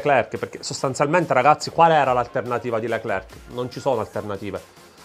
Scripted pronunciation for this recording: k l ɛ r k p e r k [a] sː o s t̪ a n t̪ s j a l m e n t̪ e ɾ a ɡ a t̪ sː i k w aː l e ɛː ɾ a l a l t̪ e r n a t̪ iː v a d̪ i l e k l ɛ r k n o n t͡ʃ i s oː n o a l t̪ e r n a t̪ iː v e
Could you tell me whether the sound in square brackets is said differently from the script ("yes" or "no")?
yes